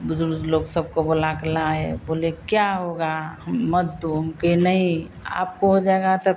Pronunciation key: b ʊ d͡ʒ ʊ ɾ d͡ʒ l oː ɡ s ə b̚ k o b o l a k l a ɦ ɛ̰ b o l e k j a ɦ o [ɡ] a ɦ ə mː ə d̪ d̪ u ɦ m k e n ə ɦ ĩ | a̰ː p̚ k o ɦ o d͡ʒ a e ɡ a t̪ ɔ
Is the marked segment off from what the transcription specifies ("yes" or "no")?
no